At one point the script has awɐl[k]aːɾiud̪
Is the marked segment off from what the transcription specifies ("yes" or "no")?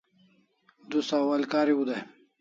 no